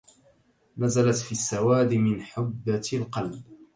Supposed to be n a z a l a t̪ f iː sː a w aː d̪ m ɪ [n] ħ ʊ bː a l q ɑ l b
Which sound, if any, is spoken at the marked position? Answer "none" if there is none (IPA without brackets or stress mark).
n